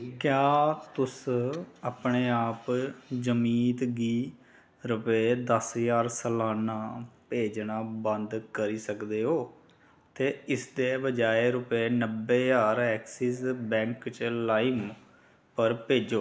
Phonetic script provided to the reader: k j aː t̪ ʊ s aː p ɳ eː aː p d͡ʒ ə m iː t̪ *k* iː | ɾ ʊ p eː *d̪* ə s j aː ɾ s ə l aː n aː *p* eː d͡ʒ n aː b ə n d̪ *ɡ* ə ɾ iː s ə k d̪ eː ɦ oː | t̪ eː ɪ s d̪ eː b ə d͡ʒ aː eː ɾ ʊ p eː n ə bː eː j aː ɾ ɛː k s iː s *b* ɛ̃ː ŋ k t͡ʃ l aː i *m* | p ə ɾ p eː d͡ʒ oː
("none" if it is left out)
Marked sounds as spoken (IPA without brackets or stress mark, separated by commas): ɡ, d̪, p, k, b, m